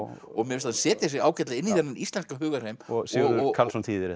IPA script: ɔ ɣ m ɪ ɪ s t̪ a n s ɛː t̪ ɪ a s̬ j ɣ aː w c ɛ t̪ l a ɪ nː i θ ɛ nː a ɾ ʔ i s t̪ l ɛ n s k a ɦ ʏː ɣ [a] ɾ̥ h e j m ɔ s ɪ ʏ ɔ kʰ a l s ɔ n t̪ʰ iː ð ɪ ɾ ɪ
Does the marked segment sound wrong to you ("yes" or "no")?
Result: no